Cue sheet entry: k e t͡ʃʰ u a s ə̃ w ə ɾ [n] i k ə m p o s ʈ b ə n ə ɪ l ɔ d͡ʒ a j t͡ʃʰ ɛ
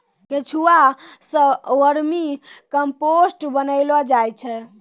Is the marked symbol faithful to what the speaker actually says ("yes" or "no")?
no